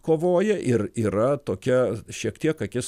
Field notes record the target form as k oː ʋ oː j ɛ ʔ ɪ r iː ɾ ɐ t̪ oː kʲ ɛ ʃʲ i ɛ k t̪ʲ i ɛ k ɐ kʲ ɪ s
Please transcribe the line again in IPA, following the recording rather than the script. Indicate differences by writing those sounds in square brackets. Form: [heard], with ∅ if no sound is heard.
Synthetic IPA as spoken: k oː ʋ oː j ɛ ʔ ɪ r iː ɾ ɐ t̪ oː kʲ ɛ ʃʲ i ɛ k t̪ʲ i ɛ k ɐ kʲ ɪ s

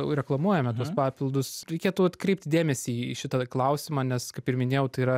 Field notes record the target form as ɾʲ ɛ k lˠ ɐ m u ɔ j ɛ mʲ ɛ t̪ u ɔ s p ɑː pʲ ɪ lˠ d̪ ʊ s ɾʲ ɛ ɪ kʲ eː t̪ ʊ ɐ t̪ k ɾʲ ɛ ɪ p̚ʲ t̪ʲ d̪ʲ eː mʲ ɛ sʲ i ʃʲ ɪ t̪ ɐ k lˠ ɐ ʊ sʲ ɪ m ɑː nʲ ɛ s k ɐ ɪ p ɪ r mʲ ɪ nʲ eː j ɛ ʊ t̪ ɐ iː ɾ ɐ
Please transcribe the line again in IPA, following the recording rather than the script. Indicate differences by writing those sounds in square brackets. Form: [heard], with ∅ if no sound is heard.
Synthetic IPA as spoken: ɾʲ ɛ k lˠ ɐ m u ɔ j ɛ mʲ ɛ t̪ u ɔ s p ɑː pʲ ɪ lˠ d̪ ʊ s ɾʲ ɛ ɪ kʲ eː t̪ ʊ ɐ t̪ k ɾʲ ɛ ɪ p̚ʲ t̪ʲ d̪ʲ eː mʲ ɛ sʲ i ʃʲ ɪ t̪ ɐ k lˠ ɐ ʊ sʲ ɪ m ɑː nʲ ɛ s k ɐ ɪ p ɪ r mʲ ɪ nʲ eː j ɛ ʊ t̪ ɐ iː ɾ ɐ

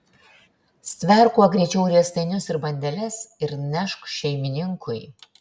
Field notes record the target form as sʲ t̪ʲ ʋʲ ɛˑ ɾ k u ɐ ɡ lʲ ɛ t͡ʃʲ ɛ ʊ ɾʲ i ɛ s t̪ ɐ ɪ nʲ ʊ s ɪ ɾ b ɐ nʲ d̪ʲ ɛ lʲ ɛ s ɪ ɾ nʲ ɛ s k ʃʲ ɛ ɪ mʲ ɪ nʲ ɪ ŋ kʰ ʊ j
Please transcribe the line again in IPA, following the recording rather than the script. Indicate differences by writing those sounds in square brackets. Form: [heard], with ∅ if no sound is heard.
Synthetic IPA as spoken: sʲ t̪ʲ ʋʲ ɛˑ ɾ k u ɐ ɡ [ɾʲ] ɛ t͡ʃʲ ɛ ʊ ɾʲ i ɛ s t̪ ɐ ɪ nʲ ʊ s ɪ ɾ b ɐ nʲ d̪ʲ ɛ lʲ ɛ s ɪ ɾ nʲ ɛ [ʃ] k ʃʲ ɛ ɪ mʲ ɪ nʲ ɪ ŋ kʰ ʊ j

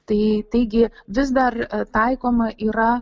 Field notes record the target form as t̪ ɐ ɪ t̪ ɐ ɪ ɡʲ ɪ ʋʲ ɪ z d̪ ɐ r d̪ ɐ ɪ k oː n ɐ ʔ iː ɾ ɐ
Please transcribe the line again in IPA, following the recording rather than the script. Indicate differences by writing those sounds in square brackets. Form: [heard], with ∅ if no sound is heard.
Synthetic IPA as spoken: t̪ ɐ ɪ t̪ ɐ ɪ ɡʲ ɪ ʋʲ ɪ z d̪ ɐ r [t̪] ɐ ɪ k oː [m] ɐ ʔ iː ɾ ɐ

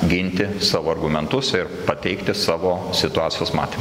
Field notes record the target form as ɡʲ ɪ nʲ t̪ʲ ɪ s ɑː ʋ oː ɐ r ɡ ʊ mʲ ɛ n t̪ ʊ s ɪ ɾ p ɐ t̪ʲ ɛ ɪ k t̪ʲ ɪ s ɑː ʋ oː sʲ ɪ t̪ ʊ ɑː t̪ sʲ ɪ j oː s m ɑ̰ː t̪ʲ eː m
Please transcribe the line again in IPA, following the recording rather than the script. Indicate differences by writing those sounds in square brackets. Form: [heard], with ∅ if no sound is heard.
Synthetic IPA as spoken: ɡʲ ɪ nʲ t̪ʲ ɪ s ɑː ʋ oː ɐ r ɡ ʊ mʲ ɛ n t̪ ʊ s ɪ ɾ p ɐ t̪ʲ ɛ ɪ k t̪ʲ ɪ s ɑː ʋ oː sʲ ɪ t̪ ʊ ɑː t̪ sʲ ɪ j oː s m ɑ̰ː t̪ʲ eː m

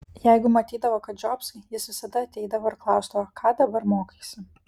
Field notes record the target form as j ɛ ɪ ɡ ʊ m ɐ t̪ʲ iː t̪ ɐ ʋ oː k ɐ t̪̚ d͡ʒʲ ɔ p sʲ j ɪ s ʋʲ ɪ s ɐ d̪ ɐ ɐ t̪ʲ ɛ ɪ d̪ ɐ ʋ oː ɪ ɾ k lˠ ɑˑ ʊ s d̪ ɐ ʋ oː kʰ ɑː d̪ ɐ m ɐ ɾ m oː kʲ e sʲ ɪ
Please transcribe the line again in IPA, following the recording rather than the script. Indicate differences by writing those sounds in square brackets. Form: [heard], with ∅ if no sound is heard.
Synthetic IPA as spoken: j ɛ ɪ ɡ ʊ m ɐ t̪ʲ iː [d̪] ɐ ʋ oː k ɐ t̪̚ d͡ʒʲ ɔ p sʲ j ɪ s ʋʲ ɪ s ɐ d̪ ɐ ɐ t̪ʲ ɛ ɪ d̪ ɐ ʋ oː ɪ ɾ k lˠ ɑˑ ʊ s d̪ ɐ ʋ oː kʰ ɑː d̪ ɐ [b] ɐ ɾ m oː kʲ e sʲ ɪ

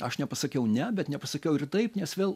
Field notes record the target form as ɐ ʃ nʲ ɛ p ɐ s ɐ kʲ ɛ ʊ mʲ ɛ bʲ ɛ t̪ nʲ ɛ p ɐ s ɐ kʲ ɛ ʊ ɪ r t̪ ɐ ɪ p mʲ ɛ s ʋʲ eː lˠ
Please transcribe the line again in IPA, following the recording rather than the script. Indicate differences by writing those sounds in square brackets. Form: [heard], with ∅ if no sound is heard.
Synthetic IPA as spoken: ɐ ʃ nʲ ɛ p ɐ s ɐ kʲ ɛ ʊ [nʲ] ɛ bʲ ɛ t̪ nʲ ɛ p ɐ s ɐ kʲ ɛ ʊ ɪ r t̪ ɐ ɪ p [nʲ] ɛ s ʋʲ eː lˠ

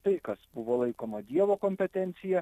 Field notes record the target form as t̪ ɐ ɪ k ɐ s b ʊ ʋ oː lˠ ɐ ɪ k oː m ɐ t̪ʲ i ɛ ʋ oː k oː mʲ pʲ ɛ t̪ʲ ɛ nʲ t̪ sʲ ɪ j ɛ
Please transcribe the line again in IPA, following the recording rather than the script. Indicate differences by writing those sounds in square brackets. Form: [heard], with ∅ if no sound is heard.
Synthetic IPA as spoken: t̪ ɐ ɪ k ɐ s b ʊ ʋ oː lˠ ɐ ɪ k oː m ɐ [d̪ʲ] i ɛ ʋ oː k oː mʲ pʲ ɛ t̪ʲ ɛ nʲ t̪ sʲ ɪ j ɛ

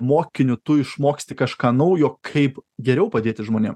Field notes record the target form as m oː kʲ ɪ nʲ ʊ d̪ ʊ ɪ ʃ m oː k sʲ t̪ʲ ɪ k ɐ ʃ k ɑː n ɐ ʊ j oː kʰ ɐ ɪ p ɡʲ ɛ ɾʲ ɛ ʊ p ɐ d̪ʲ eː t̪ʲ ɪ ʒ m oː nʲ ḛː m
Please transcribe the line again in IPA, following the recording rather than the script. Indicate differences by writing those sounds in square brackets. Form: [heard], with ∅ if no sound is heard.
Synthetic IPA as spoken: m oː kʲ ɪ nʲ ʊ [t̪] ʊ ɪ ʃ m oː k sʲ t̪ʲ ɪ k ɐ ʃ k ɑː n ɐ ʊ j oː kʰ ɐ ɪ p ɡʲ ɛ ɾʲ ɛ ʊ p ɐ d̪ʲ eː t̪ʲ ɪ ʒ m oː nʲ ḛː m

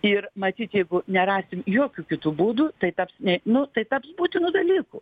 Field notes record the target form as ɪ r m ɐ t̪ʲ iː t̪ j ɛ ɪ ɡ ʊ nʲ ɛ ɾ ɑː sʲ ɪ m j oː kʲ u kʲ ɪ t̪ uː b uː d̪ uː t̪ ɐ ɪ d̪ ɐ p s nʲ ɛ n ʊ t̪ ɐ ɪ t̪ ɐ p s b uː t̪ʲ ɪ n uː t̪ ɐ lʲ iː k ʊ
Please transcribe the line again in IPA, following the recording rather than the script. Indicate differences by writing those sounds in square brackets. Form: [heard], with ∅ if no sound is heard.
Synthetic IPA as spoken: ɪ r m ɐ t̪ʲ iː t̪ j ɛ ɪ ɡ ʊ nʲ ɛ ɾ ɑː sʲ ɪ m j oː kʲ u kʲ ɪ t̪ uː b uː d̪ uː t̪ ɐ ɪ [t̪] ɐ p s nʲ ɛ n ʊ t̪ ɐ ɪ t̪ ɐ p s b uː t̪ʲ ɪ n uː [d̪] ɐ lʲ iː k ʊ

